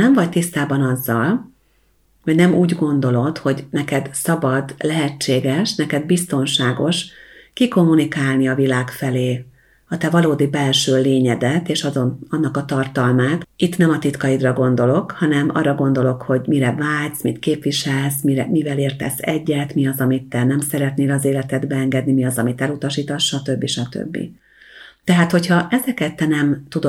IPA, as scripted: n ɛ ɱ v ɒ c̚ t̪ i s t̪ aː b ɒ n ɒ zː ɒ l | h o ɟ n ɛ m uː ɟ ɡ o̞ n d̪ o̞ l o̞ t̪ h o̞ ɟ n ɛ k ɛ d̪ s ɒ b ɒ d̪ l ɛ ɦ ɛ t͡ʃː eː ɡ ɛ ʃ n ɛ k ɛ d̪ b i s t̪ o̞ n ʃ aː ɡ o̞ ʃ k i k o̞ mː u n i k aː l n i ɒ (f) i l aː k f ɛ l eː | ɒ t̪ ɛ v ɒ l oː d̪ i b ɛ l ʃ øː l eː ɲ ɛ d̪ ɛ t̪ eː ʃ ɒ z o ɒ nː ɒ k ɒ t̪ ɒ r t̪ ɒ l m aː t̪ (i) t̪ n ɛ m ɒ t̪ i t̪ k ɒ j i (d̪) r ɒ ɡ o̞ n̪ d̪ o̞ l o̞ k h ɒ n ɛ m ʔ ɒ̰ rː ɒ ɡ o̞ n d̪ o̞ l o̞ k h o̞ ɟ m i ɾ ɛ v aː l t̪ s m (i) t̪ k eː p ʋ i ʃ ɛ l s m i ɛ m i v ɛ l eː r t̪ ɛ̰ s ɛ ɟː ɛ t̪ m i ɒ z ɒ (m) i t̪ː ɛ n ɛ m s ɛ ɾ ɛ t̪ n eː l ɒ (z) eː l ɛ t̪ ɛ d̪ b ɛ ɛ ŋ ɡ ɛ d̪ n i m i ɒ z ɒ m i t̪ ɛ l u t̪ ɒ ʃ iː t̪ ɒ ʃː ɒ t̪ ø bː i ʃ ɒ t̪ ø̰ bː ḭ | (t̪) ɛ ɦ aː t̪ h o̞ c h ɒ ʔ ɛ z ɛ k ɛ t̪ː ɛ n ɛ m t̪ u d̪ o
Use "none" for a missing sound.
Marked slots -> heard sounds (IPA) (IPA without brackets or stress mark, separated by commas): v, i, d̪, i, m, z, t̪